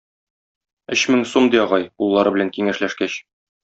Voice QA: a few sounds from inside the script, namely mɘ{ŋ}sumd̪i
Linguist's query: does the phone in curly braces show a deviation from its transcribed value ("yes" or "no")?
no